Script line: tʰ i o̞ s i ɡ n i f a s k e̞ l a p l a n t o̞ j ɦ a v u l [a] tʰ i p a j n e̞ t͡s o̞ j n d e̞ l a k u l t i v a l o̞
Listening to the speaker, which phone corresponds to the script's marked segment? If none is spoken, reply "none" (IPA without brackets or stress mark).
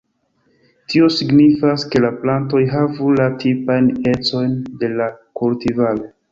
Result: a